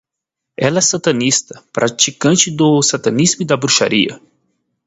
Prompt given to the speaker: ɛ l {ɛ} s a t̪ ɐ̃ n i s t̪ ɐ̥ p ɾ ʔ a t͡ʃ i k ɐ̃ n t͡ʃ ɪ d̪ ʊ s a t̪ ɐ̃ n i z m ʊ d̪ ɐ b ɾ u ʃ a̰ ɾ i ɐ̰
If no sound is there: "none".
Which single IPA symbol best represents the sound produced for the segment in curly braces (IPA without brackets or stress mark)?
ɛ